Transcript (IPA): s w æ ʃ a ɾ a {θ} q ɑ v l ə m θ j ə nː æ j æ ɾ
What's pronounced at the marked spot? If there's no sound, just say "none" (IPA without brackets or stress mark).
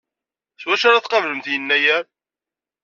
θ